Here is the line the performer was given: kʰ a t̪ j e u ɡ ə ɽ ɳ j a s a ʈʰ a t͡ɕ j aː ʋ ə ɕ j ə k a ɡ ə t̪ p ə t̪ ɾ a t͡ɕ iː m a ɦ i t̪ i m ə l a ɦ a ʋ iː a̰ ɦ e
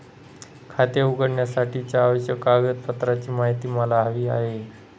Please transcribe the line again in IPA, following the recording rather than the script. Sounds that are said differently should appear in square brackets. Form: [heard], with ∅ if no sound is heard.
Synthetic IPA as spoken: kʰ a t̪ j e u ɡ ə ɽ ɳ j a s a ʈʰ [i] t͡ɕ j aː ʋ ə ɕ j ə k a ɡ ə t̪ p ə t̪ ɾ a t͡ɕ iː m a ɦ i t̪ [iː] m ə l a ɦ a ʋ iː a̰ ɦ e